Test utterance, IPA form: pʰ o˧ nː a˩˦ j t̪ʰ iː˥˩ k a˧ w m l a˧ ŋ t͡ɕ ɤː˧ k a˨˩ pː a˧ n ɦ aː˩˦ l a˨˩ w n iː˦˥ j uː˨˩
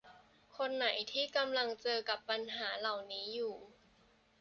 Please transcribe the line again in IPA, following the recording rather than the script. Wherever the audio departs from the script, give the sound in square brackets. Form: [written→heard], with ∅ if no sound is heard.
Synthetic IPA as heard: [pʰ→kʰ] o˧ nː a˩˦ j t̪ʰ iː˥˩ k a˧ [w→∅] m l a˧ ŋ t͡ɕ ɤː˧ k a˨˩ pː a˧ n ɦ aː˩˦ l a˨˩ w n iː˦˥ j uː˨˩